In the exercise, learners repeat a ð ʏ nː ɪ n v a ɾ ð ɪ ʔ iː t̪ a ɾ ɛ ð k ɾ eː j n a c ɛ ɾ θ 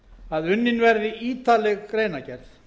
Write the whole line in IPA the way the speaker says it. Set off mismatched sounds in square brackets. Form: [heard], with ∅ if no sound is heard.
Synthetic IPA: a ð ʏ nː ɪ n v [ɛ] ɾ ð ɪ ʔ iː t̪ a [l] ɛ [ɣ] k ɾ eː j n a c ɛ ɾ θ